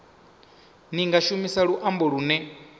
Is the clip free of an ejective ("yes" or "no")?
yes